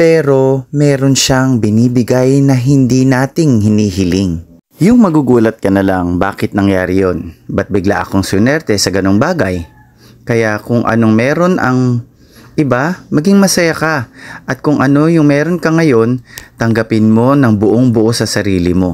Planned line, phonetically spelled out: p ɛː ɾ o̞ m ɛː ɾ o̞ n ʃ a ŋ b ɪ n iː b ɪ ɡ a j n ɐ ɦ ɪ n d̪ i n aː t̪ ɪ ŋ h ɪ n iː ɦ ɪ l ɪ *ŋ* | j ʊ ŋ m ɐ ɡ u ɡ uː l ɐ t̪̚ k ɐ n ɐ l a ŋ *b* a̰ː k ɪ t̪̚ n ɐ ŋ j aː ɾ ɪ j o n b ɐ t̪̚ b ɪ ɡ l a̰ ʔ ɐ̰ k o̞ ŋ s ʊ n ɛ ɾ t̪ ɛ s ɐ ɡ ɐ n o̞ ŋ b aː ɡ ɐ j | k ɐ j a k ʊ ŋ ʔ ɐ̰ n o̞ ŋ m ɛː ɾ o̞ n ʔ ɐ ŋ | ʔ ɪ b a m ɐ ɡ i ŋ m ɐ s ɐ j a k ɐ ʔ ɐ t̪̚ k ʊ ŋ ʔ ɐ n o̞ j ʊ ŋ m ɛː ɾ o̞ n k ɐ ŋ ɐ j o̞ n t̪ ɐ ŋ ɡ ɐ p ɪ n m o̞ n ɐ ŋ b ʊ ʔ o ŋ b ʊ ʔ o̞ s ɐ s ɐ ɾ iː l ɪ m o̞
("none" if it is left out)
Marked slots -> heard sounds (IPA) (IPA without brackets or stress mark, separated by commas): ŋ, b